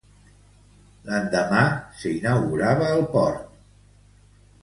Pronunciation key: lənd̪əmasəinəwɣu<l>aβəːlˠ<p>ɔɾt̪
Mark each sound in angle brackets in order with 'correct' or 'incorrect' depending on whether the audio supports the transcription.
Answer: incorrect, correct

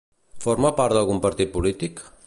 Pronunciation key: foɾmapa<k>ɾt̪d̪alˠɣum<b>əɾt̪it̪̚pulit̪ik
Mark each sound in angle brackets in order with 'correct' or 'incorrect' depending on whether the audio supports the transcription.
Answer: incorrect, incorrect

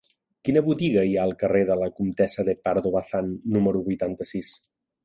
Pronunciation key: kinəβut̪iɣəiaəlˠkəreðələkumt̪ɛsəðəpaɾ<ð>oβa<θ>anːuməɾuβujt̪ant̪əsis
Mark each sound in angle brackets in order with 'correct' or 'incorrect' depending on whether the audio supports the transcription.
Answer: correct, correct

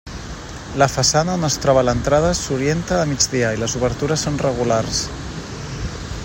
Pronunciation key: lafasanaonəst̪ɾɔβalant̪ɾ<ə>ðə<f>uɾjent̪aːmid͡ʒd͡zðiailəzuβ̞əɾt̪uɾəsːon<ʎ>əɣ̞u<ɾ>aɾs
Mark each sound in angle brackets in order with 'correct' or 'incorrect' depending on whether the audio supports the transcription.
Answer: incorrect, incorrect, incorrect, incorrect

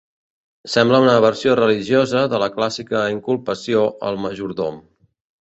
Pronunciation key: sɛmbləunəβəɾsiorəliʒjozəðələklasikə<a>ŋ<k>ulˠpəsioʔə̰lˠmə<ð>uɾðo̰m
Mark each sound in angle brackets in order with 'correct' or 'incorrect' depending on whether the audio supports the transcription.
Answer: incorrect, correct, incorrect

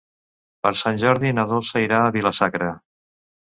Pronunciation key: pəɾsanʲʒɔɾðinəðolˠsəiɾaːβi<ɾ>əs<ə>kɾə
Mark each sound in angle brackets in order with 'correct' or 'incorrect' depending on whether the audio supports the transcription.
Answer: incorrect, incorrect

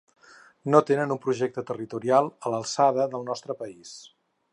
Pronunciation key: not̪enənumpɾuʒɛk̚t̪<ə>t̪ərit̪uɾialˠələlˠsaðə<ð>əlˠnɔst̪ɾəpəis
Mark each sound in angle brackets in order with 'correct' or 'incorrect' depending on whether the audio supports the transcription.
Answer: correct, correct

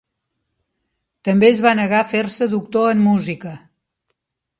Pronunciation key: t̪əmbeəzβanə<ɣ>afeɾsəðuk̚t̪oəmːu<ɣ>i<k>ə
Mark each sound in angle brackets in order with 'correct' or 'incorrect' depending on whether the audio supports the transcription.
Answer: correct, incorrect, correct

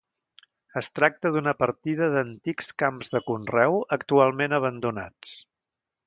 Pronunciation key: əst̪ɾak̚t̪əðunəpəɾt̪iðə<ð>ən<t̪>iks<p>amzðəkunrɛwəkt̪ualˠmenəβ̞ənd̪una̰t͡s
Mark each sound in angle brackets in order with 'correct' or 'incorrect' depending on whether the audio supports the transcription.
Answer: correct, correct, incorrect

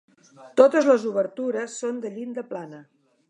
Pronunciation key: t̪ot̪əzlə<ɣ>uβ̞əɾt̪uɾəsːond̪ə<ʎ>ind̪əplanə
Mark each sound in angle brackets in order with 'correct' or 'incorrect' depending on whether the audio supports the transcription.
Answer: incorrect, correct

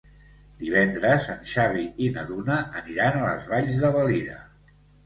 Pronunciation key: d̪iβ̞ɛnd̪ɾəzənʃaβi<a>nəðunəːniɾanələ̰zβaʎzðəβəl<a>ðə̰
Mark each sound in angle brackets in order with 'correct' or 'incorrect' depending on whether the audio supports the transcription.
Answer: incorrect, incorrect

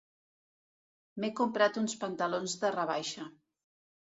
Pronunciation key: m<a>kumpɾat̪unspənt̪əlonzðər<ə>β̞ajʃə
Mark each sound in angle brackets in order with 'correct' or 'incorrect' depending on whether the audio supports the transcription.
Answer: incorrect, correct

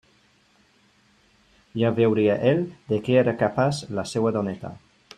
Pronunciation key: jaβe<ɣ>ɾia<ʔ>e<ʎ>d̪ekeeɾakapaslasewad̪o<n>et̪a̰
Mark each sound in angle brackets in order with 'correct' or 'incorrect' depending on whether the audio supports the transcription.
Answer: incorrect, correct, incorrect, correct

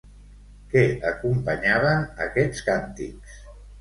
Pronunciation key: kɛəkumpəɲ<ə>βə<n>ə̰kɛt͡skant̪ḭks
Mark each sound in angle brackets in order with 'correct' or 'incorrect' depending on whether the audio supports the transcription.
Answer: incorrect, correct

